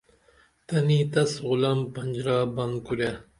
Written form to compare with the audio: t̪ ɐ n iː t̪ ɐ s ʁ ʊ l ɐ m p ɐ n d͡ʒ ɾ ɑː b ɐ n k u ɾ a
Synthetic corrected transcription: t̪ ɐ n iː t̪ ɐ s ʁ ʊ l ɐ m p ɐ n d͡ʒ ɾ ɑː b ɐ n k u ɾ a